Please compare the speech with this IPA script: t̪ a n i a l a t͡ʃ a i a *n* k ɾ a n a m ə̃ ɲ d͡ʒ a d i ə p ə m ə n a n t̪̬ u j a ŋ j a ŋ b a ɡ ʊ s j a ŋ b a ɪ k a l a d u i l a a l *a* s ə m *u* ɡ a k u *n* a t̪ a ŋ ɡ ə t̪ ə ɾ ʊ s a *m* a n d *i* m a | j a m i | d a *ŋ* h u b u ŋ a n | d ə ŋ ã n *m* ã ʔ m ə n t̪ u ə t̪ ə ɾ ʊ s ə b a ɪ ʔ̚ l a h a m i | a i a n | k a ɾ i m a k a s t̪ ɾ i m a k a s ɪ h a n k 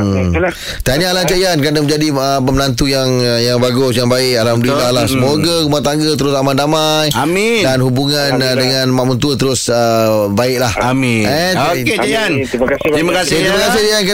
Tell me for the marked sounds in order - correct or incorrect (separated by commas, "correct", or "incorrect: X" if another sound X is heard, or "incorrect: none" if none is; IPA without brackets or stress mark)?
correct, correct, incorrect: o, incorrect: m, correct, incorrect: a, incorrect: n, correct